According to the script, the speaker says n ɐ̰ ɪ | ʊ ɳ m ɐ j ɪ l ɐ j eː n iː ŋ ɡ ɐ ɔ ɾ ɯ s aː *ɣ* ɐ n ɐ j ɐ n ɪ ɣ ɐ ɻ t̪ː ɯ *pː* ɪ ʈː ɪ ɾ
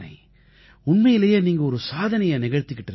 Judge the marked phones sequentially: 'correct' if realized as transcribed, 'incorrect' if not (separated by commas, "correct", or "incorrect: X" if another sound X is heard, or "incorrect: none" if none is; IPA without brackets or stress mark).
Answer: incorrect: ð, incorrect: kː